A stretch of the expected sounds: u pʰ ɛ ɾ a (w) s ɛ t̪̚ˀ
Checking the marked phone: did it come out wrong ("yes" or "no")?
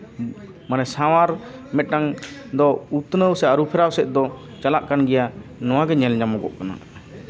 no